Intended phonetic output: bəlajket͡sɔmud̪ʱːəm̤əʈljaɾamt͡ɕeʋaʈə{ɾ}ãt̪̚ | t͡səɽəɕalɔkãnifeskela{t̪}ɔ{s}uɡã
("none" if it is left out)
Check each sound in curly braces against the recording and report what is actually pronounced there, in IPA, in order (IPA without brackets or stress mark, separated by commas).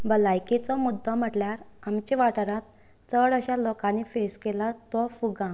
ɾ, t̪, f